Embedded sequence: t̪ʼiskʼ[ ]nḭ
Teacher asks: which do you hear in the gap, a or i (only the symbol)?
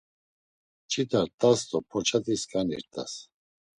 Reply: a